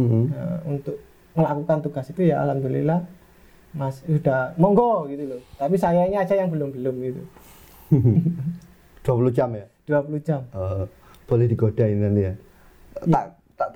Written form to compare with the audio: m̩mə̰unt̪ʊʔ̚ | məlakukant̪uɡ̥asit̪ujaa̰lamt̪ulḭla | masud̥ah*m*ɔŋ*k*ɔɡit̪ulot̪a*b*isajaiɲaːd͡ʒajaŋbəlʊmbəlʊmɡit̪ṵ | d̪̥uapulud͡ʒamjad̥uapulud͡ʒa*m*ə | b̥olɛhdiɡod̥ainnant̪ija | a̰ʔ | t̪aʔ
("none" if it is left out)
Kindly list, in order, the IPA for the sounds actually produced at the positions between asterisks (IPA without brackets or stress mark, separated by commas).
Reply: m, ɡ, p, m